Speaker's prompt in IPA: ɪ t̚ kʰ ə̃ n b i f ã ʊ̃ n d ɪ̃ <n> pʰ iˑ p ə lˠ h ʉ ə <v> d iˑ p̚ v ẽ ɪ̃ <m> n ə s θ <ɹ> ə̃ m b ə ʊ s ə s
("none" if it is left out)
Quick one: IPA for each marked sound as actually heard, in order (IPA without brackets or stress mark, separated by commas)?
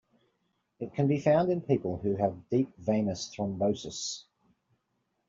n, v, none, ɹ